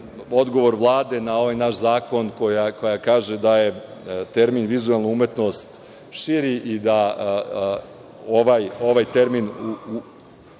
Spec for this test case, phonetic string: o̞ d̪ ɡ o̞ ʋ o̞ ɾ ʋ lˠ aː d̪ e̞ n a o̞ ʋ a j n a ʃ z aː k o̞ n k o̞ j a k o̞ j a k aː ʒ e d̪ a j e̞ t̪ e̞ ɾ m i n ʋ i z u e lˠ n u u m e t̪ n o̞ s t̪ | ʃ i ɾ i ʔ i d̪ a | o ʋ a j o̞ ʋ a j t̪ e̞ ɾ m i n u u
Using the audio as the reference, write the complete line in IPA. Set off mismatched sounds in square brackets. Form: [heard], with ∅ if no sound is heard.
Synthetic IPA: o̞ d̪ ɡ o̞ ʋ o̞ ɾ ʋ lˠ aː d̪ e̞ n a o̞ ʋ a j n a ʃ z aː k o̞ n k o̞ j a k o̞ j a k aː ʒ e d̪ a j e̞ t̪ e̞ ɾ m i n ʋ i z u e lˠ n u u m e t̪ n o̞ s t̪ | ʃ i ɾ i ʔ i d̪ a | o ʋ a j o̞ ʋ a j t̪ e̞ ɾ m i n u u